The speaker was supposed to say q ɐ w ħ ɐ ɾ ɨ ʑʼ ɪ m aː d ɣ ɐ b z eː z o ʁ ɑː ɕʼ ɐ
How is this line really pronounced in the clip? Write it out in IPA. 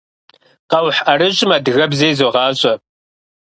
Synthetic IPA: q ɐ w ħ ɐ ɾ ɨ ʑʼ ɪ m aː d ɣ ɐ b z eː z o ʁ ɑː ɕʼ ɐ

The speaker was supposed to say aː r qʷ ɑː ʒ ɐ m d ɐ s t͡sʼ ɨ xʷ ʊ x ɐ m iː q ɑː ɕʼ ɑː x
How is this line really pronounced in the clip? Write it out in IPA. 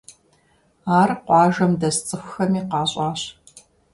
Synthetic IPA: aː r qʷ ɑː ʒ ɐ m d ɐ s t͡sʼ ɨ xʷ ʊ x ɐ m iː q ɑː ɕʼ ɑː ɕ

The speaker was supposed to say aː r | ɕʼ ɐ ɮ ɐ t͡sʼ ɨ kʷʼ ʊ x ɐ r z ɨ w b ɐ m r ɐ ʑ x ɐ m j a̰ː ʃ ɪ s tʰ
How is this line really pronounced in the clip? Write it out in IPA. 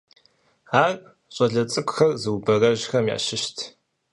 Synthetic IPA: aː r | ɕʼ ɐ ɮ ɐ t͡sʼ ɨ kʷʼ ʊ x ɐ r z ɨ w b ɐ r ɐ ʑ x ɐ m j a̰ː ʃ ɪ ʃ tʰ

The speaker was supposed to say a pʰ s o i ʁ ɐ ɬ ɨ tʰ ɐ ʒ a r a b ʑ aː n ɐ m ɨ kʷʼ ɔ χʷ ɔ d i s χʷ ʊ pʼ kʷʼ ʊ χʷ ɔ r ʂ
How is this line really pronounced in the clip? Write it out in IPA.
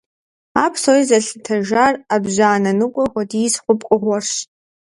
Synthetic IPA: a pʰ s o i z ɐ ɬ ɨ tʰ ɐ ʒ a r a b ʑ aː n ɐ n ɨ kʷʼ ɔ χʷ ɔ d i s χʷ ʊ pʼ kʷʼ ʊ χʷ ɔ r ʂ

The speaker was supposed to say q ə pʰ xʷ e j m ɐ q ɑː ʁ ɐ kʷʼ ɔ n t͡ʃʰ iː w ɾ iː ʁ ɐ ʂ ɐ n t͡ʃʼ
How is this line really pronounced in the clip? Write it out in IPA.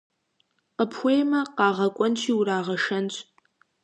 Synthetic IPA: q ə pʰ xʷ e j m ɐ q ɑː ʁ ɐ kʷʼ ɔ n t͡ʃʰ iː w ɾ aː ʁ ɐ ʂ ɐ n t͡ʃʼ

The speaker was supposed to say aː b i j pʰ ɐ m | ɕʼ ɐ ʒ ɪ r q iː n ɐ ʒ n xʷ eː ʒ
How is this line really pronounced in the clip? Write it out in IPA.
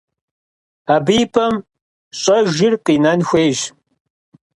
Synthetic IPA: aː b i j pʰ ɐ m | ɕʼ ɐ ʒ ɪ r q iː n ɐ n xʷ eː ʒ

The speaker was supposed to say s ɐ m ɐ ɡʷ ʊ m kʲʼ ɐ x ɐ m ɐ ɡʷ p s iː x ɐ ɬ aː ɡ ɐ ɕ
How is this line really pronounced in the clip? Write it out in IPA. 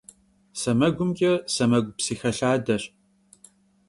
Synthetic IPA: s ɐ m ɐ ɡʷ ʊ m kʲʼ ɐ s ɐ m ɐ ɡʷ p s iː x ɐ ɬ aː d ɐ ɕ

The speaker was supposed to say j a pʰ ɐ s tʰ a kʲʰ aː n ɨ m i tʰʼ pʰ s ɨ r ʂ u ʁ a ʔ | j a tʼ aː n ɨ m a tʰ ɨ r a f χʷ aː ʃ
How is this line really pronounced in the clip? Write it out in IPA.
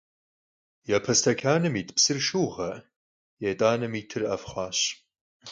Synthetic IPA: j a pʰ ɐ s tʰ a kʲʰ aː n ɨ m i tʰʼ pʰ s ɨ r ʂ u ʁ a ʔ | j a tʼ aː n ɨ m i tʰ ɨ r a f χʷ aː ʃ

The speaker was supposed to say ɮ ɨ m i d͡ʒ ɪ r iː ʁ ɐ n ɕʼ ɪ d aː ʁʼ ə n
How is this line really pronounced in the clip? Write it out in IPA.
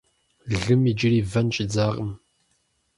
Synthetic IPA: ɮ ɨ m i d͡ʒ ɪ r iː v ɐ n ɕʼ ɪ d͡z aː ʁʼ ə m

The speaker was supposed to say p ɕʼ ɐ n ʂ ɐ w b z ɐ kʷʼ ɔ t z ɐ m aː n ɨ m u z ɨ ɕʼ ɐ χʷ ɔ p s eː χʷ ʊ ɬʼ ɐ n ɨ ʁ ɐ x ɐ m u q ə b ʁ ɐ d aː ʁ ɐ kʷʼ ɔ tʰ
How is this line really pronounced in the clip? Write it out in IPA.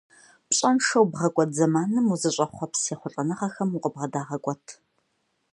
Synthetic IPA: p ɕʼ ɐ n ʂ ɐ w b ʁ ɐ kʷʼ ɔ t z ɐ m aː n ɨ m u z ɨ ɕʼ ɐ χʷ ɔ p s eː χʷ ʊ ɬʼ ɐ n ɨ ʁ ɐ x ɐ m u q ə b ʁ ɐ d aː ʁ ɐ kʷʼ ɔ tʰ

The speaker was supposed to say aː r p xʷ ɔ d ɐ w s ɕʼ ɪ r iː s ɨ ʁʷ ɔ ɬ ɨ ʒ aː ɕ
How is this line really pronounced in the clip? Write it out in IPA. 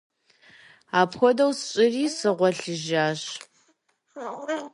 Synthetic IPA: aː p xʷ ɔ d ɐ w s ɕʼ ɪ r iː s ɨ ʁʷ ɔ ɬ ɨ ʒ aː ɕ

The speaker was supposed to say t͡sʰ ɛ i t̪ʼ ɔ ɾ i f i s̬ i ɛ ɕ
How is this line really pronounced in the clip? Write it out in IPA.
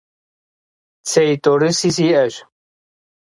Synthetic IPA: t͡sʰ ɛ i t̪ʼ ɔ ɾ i s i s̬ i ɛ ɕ

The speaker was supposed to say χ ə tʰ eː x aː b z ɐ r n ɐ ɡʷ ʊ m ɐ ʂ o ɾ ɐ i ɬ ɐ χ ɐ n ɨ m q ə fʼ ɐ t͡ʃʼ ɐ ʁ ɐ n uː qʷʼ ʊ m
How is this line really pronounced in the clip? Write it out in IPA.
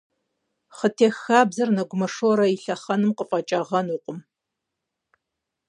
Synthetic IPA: χ ə tʰ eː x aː b z ɐ r n ɐ ɡʷ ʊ m ɐ ʂ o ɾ ɐ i ɬ ɐ χ ɐ n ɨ m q ə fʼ ɐ t͡ʃʼ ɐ ʁ ɐ n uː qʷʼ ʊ m

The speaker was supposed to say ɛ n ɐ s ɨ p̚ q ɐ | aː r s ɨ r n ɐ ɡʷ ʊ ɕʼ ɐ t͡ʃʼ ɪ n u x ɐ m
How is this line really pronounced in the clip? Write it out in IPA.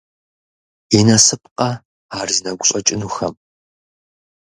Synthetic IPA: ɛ n ɐ s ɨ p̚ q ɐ | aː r z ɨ n ɐ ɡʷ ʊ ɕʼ ɐ t͡ʃʼ ɪ n u x ɐ m

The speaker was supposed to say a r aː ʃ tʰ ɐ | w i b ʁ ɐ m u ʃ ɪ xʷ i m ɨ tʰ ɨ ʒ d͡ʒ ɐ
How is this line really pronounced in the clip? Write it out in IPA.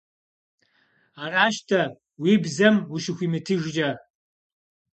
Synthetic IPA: a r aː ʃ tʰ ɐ | w i b z ɐ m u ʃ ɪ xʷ i m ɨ tʰ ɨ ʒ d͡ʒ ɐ

